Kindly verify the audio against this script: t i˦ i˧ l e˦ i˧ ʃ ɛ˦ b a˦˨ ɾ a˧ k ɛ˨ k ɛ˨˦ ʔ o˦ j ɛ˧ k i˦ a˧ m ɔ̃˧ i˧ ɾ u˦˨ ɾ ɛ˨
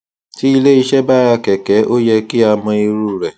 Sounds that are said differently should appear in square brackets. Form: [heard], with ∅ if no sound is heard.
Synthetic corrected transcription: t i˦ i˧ l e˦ i˧ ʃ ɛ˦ b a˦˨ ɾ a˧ k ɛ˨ k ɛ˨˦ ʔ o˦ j ɛ˧ k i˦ a˧ m ɔ̃˧ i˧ ɾ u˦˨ ɾ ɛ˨